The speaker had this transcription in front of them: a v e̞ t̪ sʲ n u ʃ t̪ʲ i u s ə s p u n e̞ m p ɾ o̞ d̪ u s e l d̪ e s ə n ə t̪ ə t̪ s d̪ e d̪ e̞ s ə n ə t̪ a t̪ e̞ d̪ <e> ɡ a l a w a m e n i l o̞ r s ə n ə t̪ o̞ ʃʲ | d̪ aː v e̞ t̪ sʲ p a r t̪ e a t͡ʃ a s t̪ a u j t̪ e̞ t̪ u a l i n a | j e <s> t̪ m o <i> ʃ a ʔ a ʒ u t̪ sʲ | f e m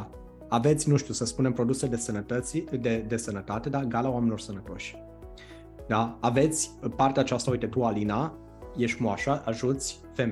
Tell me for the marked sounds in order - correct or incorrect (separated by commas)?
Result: incorrect, incorrect, incorrect